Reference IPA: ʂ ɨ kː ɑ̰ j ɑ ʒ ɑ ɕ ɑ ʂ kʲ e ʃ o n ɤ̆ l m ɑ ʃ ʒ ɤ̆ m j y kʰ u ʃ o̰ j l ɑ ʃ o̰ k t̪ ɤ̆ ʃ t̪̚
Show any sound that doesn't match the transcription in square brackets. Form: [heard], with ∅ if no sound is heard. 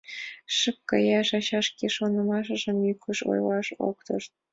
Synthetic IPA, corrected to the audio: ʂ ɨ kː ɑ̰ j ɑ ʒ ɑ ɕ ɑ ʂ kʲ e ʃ o n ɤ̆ [∅] m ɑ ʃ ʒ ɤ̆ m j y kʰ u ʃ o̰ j l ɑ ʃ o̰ k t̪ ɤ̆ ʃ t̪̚